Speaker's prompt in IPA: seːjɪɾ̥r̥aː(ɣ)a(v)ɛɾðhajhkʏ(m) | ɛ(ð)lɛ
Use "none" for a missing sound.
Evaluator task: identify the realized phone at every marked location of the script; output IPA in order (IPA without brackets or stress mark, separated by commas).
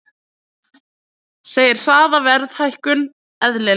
ð, v, n, ð